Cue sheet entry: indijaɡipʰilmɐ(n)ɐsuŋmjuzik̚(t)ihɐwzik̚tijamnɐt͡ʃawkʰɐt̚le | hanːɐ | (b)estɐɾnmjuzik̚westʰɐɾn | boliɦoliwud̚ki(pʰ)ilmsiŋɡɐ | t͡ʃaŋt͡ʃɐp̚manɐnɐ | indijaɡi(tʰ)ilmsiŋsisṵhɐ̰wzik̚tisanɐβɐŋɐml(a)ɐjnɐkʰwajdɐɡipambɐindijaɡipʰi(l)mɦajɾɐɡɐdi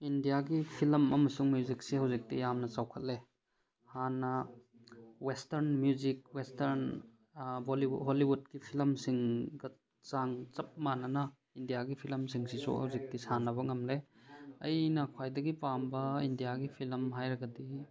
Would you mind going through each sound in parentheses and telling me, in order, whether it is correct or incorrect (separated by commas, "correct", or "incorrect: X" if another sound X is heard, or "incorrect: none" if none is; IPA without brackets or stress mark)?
incorrect: m, incorrect: s, incorrect: w, correct, incorrect: pʰ, incorrect: e, correct